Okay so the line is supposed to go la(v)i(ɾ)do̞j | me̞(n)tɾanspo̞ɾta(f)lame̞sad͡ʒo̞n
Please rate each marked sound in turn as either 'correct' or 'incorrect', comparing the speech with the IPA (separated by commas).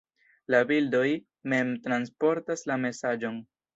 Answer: incorrect, incorrect, incorrect, incorrect